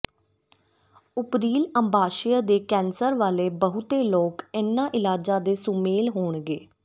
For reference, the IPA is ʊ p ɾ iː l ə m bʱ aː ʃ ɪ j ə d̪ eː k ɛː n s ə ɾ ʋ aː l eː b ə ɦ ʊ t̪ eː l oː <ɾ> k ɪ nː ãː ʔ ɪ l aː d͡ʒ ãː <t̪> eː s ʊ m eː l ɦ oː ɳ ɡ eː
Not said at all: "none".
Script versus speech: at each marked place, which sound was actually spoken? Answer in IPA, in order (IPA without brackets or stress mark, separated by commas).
none, d̪